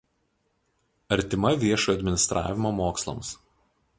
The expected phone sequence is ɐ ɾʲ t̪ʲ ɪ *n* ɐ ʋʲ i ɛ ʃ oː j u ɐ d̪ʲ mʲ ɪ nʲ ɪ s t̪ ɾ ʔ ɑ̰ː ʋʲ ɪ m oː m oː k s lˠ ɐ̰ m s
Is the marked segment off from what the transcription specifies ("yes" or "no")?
yes